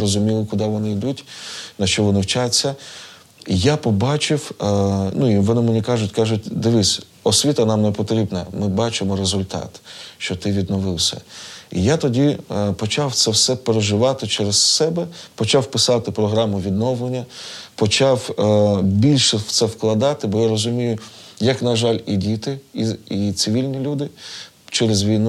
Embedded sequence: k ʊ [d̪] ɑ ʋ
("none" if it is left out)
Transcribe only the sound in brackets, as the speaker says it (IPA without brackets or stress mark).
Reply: d̪